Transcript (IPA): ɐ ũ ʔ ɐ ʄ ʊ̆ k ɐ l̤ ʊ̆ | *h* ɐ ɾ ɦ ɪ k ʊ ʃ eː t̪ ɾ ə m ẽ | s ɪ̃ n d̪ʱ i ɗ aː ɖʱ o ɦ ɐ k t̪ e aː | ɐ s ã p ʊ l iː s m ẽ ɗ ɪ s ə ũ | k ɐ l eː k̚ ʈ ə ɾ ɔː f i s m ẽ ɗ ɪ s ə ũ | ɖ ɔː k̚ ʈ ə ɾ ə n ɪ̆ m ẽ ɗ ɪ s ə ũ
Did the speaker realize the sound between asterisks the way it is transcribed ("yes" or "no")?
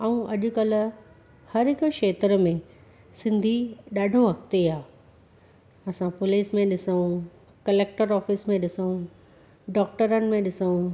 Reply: yes